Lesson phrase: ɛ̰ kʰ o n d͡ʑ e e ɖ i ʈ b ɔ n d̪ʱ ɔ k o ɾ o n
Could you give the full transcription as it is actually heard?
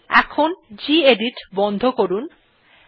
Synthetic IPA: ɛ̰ kʰ o n d͡ʑ i e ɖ i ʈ b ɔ n d̪ʱ o k o ɾ u n